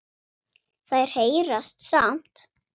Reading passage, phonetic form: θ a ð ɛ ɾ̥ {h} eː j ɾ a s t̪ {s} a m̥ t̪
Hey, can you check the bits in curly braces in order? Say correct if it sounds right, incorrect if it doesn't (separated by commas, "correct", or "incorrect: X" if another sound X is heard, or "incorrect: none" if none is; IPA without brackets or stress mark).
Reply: correct, correct